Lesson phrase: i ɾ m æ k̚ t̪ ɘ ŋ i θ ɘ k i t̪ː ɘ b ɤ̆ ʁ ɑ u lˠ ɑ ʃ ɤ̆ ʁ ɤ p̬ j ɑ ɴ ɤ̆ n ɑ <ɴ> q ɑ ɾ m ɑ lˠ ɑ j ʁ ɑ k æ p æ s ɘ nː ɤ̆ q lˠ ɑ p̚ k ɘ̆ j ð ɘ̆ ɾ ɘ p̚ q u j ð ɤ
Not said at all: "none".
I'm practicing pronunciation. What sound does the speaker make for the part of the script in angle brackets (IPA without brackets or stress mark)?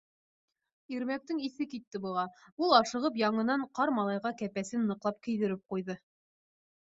ɴ